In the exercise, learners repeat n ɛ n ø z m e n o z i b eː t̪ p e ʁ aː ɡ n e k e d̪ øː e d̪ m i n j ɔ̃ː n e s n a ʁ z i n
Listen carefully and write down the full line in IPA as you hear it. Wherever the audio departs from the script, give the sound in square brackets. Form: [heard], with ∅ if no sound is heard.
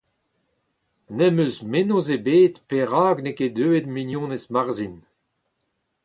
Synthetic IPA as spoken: n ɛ [m] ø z m e n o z [e] b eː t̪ p e ʁ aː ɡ n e k e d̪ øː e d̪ m i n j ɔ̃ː n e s [m] a ʁ z i n